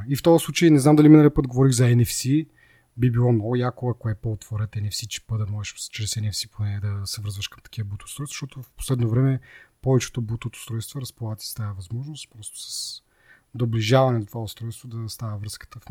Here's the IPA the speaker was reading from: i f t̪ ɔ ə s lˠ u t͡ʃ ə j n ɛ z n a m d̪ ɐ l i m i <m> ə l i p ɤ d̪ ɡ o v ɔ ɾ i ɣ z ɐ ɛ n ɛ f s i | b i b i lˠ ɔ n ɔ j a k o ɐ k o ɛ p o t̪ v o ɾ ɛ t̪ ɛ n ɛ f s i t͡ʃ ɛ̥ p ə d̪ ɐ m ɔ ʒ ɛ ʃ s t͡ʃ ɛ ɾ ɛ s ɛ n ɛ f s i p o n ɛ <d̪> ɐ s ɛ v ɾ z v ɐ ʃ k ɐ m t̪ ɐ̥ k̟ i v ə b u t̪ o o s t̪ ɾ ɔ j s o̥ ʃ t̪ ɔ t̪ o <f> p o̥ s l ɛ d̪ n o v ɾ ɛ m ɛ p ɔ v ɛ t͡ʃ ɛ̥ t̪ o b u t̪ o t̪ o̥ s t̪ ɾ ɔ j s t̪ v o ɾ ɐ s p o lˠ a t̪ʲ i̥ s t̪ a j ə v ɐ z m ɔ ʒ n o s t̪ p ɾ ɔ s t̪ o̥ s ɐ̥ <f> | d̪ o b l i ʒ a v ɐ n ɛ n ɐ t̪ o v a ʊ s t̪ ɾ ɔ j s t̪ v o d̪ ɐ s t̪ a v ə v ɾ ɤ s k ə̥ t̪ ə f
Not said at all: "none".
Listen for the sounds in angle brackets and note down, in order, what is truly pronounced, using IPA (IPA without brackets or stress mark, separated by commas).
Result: n, d̪, f, s